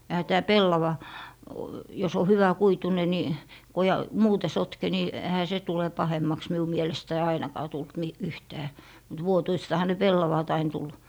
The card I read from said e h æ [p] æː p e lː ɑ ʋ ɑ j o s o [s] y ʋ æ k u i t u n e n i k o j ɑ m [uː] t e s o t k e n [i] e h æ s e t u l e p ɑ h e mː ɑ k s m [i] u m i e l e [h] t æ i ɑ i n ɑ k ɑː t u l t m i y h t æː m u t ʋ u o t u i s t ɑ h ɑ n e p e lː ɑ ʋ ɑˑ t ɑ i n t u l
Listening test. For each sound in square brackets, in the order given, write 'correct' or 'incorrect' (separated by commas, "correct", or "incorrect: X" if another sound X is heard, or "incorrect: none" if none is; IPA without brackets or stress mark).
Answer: incorrect: t, incorrect: h, correct, correct, correct, incorrect: s